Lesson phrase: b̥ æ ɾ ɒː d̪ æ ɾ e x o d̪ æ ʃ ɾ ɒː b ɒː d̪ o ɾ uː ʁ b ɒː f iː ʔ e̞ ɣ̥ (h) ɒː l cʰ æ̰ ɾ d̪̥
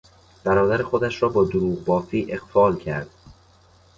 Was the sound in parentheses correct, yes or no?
no